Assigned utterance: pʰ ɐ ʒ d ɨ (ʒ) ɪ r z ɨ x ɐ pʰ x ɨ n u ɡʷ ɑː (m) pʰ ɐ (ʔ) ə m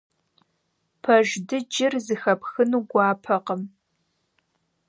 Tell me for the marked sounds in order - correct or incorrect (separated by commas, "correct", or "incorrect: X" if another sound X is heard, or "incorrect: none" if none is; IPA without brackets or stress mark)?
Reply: incorrect: d͡ʒ, incorrect: none, incorrect: q